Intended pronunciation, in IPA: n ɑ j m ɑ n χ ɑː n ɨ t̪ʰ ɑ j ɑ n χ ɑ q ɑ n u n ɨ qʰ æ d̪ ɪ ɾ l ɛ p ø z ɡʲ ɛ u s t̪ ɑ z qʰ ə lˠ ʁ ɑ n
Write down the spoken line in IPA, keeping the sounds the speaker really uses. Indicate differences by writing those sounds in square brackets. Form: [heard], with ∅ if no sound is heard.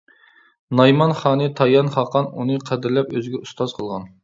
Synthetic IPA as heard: n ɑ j m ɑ n χ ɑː n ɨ t̪ʰ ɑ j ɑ n χ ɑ q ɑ n u n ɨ qʰ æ d̪ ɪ ɾ l ɛ p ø z ɡʲ ɛ u s t̪ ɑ z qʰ ə lˠ ʁ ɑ n